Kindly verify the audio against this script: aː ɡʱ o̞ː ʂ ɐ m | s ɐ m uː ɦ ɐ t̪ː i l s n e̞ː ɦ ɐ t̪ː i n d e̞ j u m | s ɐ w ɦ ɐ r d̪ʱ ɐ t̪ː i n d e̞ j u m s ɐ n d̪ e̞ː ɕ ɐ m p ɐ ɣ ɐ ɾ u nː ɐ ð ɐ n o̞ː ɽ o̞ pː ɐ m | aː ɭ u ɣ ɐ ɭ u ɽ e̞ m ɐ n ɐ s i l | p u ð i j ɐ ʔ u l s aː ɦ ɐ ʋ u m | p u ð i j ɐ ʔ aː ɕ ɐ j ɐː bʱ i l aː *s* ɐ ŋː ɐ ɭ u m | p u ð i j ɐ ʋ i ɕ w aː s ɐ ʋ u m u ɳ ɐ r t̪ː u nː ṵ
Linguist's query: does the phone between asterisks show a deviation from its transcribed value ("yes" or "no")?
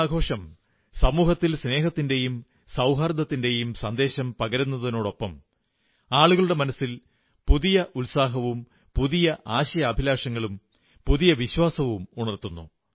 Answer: yes